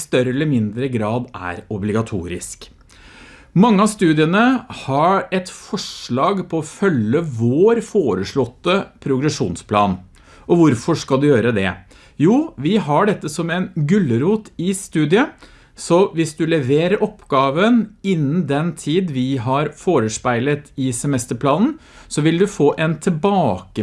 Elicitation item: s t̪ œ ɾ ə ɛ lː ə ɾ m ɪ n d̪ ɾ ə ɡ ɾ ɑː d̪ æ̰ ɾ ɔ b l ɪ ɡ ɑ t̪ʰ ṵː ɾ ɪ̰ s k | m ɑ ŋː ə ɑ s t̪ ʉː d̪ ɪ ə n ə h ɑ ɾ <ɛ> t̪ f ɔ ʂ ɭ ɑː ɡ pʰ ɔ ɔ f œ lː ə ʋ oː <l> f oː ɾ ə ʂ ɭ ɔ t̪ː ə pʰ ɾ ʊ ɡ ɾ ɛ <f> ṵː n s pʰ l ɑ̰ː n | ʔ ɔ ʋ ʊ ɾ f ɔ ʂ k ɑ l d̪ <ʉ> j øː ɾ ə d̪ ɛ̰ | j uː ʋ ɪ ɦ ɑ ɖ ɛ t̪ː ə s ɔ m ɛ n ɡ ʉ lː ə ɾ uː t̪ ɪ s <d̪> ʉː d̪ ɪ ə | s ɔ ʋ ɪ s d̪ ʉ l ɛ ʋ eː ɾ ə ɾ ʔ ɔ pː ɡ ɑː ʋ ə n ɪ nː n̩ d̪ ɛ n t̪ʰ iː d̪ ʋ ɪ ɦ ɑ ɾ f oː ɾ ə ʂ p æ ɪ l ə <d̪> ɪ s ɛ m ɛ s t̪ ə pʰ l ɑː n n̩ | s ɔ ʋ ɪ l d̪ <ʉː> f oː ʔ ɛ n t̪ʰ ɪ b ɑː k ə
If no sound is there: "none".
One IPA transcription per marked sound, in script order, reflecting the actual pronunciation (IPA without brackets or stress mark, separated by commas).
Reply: ɛ, ɾ, ʂ, ʉ, t̪, t̪, ʉ